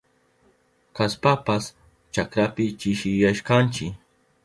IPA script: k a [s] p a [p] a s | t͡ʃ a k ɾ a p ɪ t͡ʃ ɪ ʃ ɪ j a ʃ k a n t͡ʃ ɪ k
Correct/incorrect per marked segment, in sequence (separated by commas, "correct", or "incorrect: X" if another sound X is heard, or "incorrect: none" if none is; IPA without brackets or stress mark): correct, correct